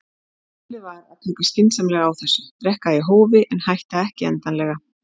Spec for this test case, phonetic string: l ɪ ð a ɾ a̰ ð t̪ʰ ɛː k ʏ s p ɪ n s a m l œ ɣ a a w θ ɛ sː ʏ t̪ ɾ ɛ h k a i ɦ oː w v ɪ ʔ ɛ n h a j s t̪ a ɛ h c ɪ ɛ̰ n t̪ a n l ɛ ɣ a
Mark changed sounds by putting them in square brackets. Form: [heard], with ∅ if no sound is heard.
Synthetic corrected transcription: l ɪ [v] a ɾ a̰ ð t̪ʰ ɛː k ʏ s [c] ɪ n s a m l [ɛ] ɣ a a w θ ɛ sː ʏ t̪ ɾ ɛ h k a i ɦ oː w v ɪ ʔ ɛ n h a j [h] t̪ a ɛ h c ɪ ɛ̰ n t̪ a n l ɛ ɣ a

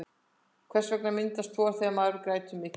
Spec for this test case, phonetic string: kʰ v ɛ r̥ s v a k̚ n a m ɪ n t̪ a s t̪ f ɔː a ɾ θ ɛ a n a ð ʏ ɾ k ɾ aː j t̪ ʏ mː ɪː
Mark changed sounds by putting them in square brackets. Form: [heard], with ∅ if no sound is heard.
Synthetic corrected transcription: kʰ v ɛ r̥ s v [ɛ] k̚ n a m ɪ n t̪ a s t̪ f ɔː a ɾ θ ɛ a [m] a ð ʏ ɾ k ɾ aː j t̪ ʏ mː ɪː

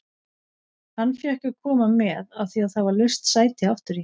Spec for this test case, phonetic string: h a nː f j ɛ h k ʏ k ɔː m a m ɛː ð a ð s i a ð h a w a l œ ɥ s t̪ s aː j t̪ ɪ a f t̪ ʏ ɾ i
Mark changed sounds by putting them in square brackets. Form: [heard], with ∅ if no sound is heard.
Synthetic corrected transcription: h a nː f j ɛ h k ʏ [kʰ] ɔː m a m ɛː ð a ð [θ] i a ð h a [v] a l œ ɥ s t̪ s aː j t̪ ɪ a f t̪ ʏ ɾ i

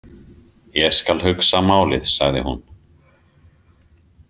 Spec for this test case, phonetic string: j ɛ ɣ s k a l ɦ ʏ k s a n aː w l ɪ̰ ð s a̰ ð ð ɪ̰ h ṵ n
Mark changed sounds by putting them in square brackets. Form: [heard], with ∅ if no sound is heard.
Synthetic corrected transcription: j ɛ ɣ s k a l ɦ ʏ k s a [m] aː w l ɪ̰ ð s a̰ [ɣ] ð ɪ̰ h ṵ n

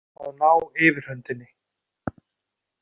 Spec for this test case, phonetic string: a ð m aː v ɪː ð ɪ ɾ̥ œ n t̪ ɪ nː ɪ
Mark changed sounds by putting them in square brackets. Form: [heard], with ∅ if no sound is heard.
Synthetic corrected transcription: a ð [n] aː [w] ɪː [v] ɪ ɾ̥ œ n t̪ ɪ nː ɪ

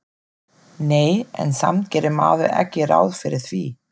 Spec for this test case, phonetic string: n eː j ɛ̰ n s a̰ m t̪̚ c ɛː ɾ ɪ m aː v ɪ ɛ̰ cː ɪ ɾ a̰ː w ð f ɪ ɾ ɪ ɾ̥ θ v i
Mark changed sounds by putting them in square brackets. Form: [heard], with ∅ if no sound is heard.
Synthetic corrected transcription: n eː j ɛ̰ n s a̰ m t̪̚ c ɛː ɾ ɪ m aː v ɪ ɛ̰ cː ɪ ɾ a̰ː w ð f ɪ ɾ ɪ ɾ̥ θ v i

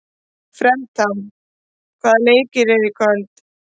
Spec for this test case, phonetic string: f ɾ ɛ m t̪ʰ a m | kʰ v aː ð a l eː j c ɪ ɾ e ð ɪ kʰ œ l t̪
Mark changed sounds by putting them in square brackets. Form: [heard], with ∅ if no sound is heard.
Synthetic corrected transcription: f ɾ ɛ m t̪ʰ a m | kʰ v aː ð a l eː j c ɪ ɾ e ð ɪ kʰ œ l t̪

